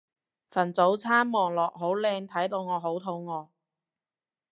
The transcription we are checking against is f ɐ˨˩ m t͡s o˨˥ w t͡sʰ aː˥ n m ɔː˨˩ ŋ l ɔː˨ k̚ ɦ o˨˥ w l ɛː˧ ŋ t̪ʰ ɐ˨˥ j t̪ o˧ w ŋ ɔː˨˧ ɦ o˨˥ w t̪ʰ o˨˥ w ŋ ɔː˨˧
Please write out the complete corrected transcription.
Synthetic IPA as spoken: f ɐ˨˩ n t͡s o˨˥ w t͡sʰ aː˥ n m ɔː˨˩ ŋ l ɔː˨ k̚ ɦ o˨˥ w l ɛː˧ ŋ t̪ʰ ɐ˨˥ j t̪ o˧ w ŋ ɔː˨˧ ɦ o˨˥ w t̪ʰ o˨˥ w ŋ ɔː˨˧